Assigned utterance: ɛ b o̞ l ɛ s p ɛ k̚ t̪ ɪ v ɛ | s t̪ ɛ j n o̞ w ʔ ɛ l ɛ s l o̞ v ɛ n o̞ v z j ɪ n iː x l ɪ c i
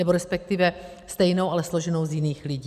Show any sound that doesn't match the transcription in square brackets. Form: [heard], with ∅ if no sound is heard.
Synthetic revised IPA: ɛ b o̞ [ɾ] ɛ s p ɛ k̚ t̪ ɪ v ɛ | s t̪ ɛ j n o̞ w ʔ [a] l ɛ s l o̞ [ʒ] ɛ n o̞ [w] z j ɪ n iː x l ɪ [ɟ] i